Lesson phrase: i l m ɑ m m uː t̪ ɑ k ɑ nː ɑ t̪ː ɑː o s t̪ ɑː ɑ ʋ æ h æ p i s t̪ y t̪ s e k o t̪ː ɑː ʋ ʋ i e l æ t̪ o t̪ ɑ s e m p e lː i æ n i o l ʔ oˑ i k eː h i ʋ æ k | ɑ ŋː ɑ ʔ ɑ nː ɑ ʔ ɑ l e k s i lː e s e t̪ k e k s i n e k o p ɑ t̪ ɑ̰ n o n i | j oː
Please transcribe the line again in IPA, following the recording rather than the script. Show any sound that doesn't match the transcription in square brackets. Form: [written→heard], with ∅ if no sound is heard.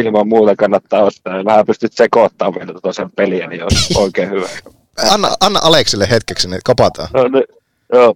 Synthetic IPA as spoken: i l m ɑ m m uː t̪ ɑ k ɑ nː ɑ t̪ː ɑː o s t̪ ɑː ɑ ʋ æ h æ p [i→y] s t̪ y t̪ s e k o t̪ː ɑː ʋ ʋ i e l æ t̪ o t̪ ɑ s e m p e [lː→l] i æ n i o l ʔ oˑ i k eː h [i→y] ʋ æ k | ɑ [ŋː→nː] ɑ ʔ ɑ nː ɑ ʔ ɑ l e k s i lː e [s→h] e t̪ k e k s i n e k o p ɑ t̪ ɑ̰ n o n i | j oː